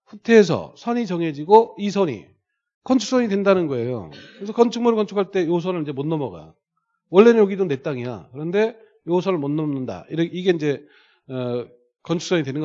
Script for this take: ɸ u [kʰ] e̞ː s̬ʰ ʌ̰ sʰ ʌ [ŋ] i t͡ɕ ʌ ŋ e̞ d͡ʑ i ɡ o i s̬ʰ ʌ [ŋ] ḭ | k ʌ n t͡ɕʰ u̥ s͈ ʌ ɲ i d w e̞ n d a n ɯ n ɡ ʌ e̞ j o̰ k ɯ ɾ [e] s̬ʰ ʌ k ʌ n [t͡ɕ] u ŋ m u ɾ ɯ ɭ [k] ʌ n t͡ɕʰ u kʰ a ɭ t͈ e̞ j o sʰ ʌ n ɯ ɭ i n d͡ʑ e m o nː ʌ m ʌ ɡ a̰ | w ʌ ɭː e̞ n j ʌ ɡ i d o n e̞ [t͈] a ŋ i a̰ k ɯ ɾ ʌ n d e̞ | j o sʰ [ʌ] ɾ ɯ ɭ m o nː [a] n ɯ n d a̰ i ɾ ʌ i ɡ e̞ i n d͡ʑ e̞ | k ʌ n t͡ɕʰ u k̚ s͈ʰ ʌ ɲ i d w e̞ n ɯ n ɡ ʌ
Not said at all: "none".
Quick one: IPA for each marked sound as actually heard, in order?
tʰ, ɲ, ɲ, e, t͡ɕʰ, k, t͈, ʌ, ʌ

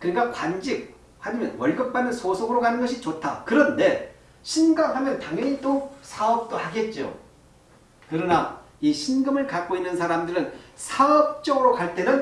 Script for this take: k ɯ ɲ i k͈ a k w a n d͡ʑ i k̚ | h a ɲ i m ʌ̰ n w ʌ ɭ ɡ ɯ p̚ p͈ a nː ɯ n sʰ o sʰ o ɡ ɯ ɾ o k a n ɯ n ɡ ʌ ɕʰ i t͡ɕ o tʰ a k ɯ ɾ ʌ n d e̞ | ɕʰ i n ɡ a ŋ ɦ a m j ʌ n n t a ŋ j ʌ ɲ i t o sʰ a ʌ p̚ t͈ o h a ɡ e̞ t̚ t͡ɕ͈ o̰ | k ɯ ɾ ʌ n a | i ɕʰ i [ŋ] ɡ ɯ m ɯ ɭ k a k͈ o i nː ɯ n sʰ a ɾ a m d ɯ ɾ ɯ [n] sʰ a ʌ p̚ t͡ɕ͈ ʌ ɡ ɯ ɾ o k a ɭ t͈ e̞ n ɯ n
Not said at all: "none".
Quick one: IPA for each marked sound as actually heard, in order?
n, n

